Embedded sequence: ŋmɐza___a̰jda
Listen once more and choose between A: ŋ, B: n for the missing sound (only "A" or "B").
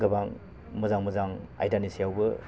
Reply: A